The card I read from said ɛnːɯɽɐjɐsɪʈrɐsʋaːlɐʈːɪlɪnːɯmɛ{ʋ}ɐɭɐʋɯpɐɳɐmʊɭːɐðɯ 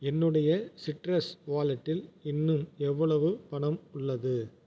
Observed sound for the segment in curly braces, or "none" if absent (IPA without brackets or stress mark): ʋː